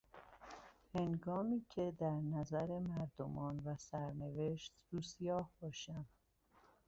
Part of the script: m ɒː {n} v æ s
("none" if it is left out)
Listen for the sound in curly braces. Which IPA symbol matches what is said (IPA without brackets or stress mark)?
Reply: n